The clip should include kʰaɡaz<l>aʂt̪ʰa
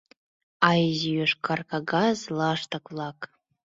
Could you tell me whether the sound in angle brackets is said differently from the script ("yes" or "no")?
no